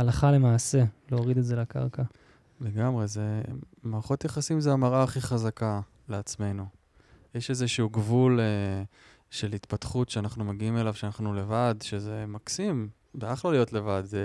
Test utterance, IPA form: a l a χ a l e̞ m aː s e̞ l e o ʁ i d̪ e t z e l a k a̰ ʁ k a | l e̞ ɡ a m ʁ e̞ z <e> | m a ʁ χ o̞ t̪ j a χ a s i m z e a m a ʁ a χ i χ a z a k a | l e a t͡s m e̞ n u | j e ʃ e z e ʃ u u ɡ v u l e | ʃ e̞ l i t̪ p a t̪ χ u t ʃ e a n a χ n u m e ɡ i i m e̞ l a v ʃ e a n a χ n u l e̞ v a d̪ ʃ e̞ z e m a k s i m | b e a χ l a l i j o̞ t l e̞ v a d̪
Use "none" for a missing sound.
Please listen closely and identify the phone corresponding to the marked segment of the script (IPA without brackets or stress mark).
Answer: e